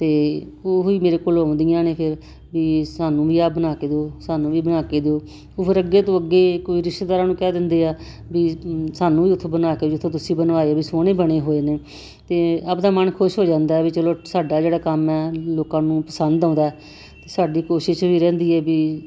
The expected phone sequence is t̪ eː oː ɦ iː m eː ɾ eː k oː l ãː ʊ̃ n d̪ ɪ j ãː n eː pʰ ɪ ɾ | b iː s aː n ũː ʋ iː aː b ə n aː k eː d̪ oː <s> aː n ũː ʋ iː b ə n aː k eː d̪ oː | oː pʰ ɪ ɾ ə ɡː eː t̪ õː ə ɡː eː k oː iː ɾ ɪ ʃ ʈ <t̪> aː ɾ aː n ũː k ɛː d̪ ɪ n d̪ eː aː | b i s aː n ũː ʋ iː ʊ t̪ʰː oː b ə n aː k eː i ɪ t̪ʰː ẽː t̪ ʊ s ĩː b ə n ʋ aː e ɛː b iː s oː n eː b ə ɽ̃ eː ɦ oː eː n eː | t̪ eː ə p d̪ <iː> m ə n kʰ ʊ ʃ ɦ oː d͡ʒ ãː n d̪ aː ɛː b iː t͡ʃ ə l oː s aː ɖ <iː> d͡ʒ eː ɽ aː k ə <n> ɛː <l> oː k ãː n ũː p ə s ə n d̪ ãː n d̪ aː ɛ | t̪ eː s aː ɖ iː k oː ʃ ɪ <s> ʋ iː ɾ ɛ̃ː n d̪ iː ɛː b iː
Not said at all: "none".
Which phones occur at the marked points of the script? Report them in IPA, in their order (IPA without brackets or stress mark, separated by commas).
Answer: s, d̪, aː, aː, m, l, ʃ